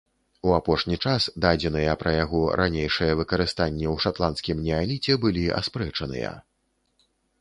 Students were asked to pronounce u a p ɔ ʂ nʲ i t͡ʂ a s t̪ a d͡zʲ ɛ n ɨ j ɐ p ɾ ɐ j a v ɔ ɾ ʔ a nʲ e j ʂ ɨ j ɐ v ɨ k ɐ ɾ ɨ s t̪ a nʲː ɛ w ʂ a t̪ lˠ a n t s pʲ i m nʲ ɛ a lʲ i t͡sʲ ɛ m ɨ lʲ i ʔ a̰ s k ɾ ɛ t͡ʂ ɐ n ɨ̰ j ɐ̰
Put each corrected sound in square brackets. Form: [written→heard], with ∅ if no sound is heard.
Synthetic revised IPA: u a p ɔ ʂ nʲ i t͡ʂ a s [t̪→d̪] a d͡zʲ ɛ n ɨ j ɐ p ɾ ɐ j a [v→ɣ] ɔ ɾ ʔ a nʲ e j ʂ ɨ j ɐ v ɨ k ɐ ɾ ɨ s t̪ a nʲː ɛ w ʂ a t̪ lˠ a n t s [pʲ→kʲ] i m nʲ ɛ a lʲ i t͡sʲ ɛ [m→b] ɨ lʲ i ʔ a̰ s [k→p] ɾ ɛ t͡ʂ ɐ n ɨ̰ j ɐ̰